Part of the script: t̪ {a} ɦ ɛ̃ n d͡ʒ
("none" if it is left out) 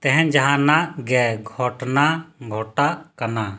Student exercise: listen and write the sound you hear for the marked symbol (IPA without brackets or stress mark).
ɛ